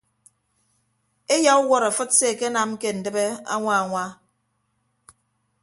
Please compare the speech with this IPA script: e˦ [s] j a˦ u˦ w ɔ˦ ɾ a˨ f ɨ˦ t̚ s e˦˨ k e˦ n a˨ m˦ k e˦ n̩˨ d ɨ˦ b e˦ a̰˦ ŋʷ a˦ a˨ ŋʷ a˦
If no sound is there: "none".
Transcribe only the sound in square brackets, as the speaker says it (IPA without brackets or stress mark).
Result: none